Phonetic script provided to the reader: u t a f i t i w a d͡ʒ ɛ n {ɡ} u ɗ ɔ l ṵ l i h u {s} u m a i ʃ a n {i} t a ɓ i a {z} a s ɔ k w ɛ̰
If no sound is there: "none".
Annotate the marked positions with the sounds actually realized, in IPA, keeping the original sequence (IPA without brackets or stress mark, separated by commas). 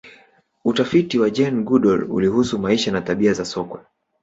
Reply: ɡ, s, a, z